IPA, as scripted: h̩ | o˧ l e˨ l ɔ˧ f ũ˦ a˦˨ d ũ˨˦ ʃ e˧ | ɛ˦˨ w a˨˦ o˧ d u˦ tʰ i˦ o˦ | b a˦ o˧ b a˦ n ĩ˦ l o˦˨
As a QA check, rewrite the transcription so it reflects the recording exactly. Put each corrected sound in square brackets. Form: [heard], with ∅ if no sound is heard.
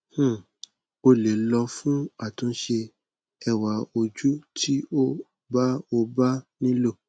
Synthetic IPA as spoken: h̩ | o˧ l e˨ l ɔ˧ f ũ˦ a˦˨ [t] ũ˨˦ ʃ e˧ | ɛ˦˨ w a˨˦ o˧ [d͡ʒ] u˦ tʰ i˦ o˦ | b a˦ o˧ b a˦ n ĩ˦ l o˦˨